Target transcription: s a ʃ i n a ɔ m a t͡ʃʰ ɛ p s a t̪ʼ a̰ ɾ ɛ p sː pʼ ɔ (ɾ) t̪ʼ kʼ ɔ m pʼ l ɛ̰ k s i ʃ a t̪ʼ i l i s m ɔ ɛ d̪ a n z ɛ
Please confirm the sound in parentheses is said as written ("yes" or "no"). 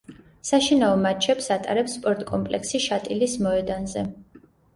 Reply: yes